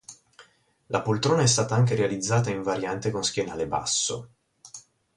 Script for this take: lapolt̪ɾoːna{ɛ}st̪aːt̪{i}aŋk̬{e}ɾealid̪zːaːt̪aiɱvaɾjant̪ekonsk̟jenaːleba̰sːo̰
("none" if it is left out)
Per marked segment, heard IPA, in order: ɛ, a, e

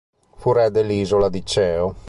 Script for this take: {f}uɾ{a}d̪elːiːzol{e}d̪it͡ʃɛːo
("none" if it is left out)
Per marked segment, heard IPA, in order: f, ɛ, a

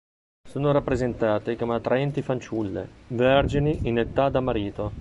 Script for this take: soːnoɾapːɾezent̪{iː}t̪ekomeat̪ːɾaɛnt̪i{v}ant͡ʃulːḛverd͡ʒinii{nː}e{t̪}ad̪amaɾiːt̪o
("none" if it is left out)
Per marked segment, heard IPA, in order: aː, f, n, t̪

